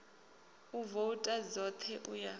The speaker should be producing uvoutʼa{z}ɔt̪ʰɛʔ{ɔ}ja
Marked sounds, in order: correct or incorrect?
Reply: correct, incorrect

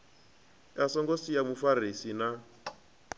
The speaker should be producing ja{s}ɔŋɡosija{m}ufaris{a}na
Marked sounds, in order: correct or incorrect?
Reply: correct, correct, incorrect

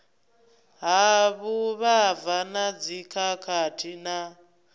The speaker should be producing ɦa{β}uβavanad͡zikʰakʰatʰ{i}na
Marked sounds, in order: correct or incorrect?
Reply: correct, correct

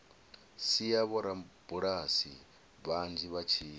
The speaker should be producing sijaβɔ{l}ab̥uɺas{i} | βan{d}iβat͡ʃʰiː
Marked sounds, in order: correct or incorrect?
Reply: incorrect, correct, incorrect

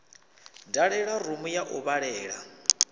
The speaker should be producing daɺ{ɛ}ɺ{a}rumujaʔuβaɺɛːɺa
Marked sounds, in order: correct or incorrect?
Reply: correct, correct

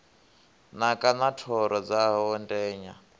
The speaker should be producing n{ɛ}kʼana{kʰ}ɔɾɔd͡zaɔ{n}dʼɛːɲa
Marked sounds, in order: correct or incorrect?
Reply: incorrect, incorrect, correct

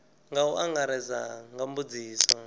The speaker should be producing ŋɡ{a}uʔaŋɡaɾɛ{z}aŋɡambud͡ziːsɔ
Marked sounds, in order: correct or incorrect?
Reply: correct, correct

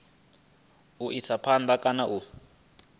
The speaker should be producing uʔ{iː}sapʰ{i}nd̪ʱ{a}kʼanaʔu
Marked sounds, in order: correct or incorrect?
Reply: incorrect, incorrect, correct

